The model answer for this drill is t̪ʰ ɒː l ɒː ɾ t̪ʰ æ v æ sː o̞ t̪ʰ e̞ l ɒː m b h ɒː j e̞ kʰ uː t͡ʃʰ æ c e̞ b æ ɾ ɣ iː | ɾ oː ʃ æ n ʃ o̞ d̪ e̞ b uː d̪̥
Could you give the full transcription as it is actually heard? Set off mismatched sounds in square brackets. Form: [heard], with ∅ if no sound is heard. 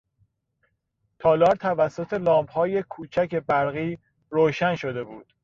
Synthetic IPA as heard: t̪ʰ ɒː l ɒː ɾ t̪ʰ æ v æ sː o̞ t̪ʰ e̞ l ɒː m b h ɒː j e̞ kʰ uː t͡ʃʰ æ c e̞ b æ ɾ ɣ iː | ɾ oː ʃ æ n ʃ o̞ d̪ e̞ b uː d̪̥